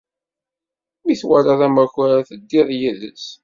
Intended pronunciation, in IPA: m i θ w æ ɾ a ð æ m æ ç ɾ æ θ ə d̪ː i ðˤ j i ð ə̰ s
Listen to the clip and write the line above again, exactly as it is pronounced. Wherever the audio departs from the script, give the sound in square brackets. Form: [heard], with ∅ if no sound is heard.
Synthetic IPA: m i θ w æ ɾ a ð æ m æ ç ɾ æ θ ə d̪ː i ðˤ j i ð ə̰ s